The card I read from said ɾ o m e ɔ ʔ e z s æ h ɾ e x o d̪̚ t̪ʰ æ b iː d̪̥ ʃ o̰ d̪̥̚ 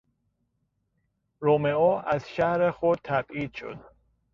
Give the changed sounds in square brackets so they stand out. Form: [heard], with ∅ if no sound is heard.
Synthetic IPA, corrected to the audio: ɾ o m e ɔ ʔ [æ] z [ʃ] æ h ɾ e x o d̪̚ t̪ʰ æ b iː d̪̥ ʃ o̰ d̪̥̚